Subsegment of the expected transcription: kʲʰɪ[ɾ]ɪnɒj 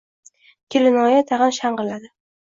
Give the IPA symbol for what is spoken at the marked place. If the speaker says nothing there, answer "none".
l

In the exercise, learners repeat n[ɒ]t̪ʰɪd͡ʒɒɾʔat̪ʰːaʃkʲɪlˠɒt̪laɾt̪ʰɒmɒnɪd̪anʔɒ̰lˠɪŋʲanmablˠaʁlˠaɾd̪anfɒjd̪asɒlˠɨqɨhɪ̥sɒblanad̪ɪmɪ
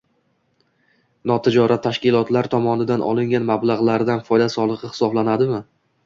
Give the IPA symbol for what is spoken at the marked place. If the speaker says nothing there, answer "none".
ɒ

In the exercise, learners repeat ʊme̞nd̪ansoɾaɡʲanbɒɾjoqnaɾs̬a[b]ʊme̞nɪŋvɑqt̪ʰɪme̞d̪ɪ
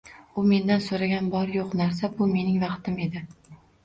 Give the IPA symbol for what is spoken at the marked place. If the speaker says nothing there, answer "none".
b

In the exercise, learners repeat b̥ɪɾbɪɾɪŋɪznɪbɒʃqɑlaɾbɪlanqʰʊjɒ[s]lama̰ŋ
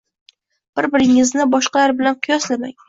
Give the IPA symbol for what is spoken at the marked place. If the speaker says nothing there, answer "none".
s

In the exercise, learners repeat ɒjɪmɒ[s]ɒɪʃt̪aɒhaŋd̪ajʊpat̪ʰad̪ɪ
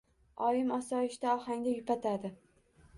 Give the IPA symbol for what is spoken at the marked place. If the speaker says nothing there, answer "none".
s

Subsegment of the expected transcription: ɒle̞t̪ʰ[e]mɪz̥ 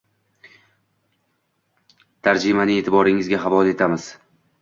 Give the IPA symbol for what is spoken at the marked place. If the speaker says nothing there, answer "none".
a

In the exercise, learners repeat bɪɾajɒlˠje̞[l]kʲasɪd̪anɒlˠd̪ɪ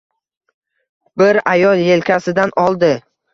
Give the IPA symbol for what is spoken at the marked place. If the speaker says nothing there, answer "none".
l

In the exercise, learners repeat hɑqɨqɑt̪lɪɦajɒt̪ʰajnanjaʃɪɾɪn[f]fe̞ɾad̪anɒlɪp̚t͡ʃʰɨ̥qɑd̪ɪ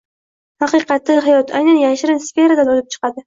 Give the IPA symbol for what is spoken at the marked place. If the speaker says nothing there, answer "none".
s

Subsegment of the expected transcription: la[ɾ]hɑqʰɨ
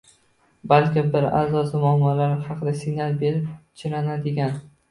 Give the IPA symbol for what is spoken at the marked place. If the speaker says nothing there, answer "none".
ɾ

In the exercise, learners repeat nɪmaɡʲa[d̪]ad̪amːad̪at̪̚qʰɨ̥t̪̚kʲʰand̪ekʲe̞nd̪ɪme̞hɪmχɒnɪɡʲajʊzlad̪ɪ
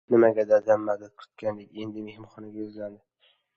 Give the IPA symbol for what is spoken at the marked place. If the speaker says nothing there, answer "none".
d̪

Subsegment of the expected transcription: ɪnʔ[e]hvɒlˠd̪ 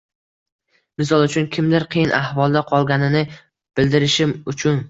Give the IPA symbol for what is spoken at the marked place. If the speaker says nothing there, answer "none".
a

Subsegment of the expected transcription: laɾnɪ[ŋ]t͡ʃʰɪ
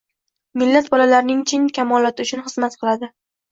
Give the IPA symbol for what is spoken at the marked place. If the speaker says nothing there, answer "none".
ŋ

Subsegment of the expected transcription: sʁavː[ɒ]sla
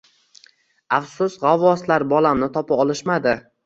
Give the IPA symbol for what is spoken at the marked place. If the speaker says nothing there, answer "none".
ɒ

